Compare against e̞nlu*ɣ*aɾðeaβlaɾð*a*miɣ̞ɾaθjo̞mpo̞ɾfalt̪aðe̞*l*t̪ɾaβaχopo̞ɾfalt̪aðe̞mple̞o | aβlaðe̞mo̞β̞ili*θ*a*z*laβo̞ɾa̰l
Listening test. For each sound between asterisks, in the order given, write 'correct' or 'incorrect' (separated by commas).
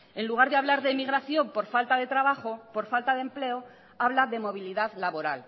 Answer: correct, incorrect, incorrect, incorrect, incorrect